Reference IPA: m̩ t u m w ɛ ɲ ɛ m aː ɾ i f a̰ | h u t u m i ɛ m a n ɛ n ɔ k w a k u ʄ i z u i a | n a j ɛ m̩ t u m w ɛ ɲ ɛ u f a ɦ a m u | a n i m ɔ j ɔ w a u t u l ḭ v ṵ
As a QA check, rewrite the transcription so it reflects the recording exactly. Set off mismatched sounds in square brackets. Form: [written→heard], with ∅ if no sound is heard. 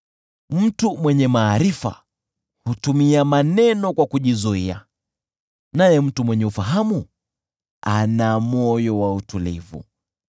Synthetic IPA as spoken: m̩ t u m w ɛ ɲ ɛ m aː ɾ i f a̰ | h u t u m i [ɛ→a] m a n ɛ n ɔ k w a k u ʄ i z u i a | n a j ɛ m̩ t u m w ɛ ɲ ɛ u f a ɦ a m u | a n [i→a] m ɔ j ɔ w a u t u l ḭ v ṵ

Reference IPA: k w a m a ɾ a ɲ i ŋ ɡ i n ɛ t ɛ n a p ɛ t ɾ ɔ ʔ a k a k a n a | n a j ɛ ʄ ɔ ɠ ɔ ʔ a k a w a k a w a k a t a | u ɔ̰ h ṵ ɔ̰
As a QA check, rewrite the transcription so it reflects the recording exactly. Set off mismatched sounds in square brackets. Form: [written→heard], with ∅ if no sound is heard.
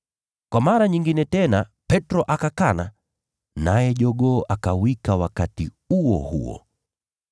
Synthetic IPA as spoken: k w a m a ɾ a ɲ i ŋ ɡ i n ɛ t ɛ n a p ɛ t ɾ ɔ ʔ a k a k a n a | n a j ɛ ʄ ɔ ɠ ɔ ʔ a k a w [a→i] k a w a k a t [a→i] | u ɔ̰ h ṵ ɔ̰

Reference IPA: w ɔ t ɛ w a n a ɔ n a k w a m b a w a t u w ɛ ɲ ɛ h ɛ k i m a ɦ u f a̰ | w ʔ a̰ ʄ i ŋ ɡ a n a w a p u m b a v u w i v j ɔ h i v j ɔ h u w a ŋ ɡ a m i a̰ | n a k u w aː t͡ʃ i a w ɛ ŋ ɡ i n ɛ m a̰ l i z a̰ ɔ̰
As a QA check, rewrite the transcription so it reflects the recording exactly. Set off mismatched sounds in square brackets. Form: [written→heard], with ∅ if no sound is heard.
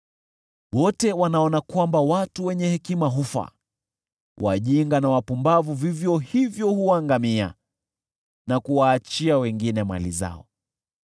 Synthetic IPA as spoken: w ɔ t ɛ w a n a ɔ n a k w a m b a w a t u w ɛ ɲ ɛ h ɛ k i m a ɦ u f a̰ | w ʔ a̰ ʄ i ŋ ɡ a n a w a p u m b a v u [w→v] i v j ɔ h i v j ɔ h u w a ŋ ɡ a m i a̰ | n a k u w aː t͡ʃ i a w ɛ ŋ ɡ i n ɛ m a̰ l i z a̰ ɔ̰

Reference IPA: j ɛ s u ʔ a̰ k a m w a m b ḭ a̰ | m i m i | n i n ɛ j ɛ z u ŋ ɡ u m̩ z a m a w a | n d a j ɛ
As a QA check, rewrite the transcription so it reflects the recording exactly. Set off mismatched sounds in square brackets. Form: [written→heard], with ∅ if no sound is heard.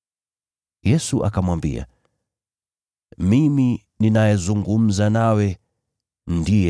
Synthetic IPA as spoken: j ɛ s u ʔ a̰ k a m w a m b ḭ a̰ | m i m i | n i n [ɛ→a] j ɛ z u ŋ ɡ u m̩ z a [m→n] a w [a→ɛ] | n d [a→i] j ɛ

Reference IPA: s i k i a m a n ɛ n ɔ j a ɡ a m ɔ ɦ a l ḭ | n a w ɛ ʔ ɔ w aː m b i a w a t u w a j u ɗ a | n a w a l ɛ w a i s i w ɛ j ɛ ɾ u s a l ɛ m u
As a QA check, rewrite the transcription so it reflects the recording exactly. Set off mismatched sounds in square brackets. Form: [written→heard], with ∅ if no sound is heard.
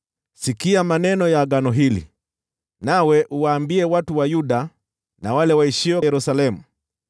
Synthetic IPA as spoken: s i k i a m a n ɛ n ɔ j a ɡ a [m→n] ɔ ɦ [a→i] l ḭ | n a w ɛ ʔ [ɔ→u] w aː m b i [a→ɛ] w a t u w a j u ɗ a | n a w a l ɛ w a i [s→ʃ] i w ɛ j ɛ ɾ u s a l ɛ m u

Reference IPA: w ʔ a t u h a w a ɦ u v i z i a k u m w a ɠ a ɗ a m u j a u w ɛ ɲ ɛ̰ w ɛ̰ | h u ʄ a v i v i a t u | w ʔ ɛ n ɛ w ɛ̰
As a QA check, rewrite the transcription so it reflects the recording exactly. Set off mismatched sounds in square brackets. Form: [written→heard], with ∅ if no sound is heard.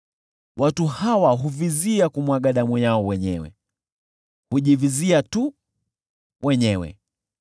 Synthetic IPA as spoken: w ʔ a t u h a w a ɦ u v i z i a k u m w a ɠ a ɗ a m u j a [u→ɔ] w ɛ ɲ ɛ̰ w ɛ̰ | h u ʄ [a→i] v i [v→z] i a t u | w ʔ ɛ [n→ɲ] ɛ w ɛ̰

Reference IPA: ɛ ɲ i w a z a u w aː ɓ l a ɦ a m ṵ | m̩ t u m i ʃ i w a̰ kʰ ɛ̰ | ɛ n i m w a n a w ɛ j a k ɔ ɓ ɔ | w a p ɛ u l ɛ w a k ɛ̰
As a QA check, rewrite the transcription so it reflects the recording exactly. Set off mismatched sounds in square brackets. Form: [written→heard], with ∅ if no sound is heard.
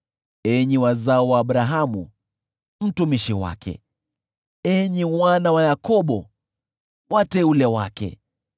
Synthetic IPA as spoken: ɛ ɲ i w a z a [u→ɔ] w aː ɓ [l→ɾ] a ɦ a m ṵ | m̩ t u m i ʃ i w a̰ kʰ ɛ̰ | ɛ [n→ɲ] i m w a n a w [ɛ→a] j a k ɔ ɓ ɔ | w a [p→t] ɛ u l ɛ w a k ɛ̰

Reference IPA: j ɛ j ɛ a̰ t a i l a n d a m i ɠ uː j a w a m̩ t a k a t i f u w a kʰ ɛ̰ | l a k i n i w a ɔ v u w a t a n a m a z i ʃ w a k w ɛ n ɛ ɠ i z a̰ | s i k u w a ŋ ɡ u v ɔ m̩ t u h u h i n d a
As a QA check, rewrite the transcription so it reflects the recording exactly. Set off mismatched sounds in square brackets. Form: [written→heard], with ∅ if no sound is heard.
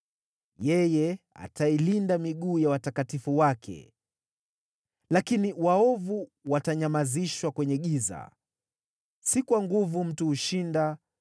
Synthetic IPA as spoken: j ɛ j ɛ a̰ t a i l [a→i] n d a m i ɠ uː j a w a [m̩→∅] t a k a t i f u w a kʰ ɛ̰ | l a k i n i w a ɔ v u w a t a [n→ɲ] a m a z i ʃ w a k w ɛ [n→ɲ] ɛ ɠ i z a̰ | s i k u w a ŋ ɡ u v [ɔ→u] m̩ t u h u [h→ʃ] i n d a

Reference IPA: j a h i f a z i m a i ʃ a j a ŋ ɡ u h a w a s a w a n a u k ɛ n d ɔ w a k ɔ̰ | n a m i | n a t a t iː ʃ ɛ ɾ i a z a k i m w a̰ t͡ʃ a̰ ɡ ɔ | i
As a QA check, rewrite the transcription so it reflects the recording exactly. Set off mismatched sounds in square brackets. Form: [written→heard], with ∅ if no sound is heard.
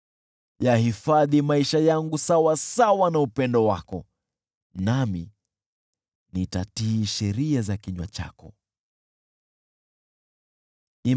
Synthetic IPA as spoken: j a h i f a [z→ð] i m a i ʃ a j a ŋ ɡ u [h→s] a w a s a w a n a u [k→p] ɛ n d ɔ w a k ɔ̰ | n a m i | n [a→i] t a t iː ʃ ɛ ɾ i a z a k i [m→ɲ] w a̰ t͡ʃ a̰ [ɡ→k] ɔ | i

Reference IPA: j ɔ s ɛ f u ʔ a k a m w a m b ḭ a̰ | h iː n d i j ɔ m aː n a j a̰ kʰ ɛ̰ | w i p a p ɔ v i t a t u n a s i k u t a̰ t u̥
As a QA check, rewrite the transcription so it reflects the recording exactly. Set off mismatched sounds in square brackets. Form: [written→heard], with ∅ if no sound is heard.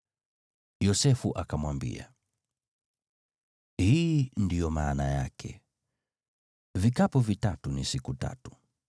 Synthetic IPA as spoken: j ɔ s ɛ f u ʔ a k a m w a m b ḭ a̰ | h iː n d i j ɔ m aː n a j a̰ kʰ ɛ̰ | [w→v] i [p→k] a p ɔ v i t a t u n [a→i] s i k u t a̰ t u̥

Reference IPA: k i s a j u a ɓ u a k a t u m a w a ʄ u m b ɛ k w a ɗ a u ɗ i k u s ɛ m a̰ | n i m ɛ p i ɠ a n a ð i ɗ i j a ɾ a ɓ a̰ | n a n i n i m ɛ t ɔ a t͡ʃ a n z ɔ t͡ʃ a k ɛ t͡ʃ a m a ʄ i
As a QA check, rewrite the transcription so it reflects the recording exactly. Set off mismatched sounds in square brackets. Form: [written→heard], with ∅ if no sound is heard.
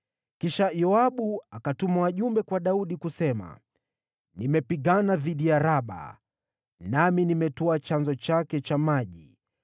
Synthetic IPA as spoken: k i [s→ʃ] a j [u→ɔ] a ɓ u a k a t u m a w a ʄ u m b ɛ k w a ɗ a u ɗ i k u s ɛ m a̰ | n i m ɛ p i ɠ a n a ð i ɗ i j a ɾ a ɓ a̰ | n a [n→m] i n i m ɛ t ɔ a t͡ʃ a n z ɔ t͡ʃ a k ɛ t͡ʃ a m a ʄ i

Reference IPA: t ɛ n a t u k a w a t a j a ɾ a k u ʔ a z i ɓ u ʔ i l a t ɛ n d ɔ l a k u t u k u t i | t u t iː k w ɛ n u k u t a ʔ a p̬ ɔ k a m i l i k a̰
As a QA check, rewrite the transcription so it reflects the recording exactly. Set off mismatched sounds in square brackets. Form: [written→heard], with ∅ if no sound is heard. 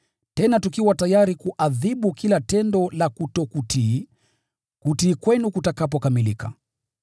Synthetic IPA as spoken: t ɛ n a t u k [a→i] w a t a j a ɾ [a→i] k u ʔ a [z→ð] i ɓ u [ʔ→k] i l a t ɛ n d ɔ l a k u t [u→ɔ] k u t i | [t→k] u t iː k w ɛ n u k u t a [ʔ→k] a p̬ ɔ k a m i l i k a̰

